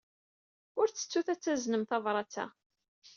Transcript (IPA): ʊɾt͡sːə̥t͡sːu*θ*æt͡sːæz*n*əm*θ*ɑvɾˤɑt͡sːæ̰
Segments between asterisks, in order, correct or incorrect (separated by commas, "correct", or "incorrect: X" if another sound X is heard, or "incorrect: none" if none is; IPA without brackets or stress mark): correct, correct, correct